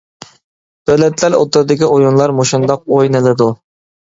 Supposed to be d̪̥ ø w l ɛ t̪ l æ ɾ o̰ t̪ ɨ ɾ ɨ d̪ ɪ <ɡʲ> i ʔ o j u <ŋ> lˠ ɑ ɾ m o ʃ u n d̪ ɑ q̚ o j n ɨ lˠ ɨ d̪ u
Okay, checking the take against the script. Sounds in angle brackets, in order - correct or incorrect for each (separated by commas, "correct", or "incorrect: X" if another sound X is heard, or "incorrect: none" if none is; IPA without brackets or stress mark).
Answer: incorrect: kʲ, incorrect: n